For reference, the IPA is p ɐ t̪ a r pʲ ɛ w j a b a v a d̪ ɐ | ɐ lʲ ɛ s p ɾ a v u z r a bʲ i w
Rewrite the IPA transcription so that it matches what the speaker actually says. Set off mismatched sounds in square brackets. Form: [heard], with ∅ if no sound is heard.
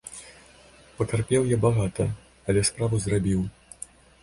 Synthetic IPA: p ɐ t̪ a r pʲ ɛ w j a b a [ɣ] a [t̪] ɐ | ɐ lʲ ɛ s p ɾ a v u z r a bʲ i w